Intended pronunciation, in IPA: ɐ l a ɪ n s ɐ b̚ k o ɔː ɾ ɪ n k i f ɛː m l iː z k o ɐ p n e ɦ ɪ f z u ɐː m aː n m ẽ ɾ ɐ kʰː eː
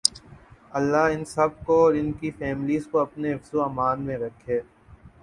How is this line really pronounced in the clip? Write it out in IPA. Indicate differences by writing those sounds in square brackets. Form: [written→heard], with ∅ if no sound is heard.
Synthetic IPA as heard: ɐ [l→lː] a ɪ n s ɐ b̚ k o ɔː ɾ ɪ n k i f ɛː m l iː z k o ɐ p n e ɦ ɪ f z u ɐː m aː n m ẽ ɾ ɐ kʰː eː